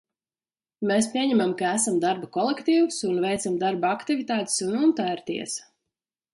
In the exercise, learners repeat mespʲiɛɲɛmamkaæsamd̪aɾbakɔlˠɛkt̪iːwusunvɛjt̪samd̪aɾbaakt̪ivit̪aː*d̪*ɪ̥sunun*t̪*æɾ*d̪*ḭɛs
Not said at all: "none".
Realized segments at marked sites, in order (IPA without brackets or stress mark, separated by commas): t̪, t̪, t̪